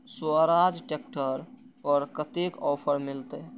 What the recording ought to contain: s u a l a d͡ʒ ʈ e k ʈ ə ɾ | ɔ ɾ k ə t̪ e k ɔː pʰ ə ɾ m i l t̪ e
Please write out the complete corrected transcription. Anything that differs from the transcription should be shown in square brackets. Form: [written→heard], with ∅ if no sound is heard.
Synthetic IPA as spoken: s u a [l→ɾ] a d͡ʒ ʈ e k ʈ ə ɾ | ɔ ɾ k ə t̪ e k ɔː pʰ ə ɾ m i l t̪ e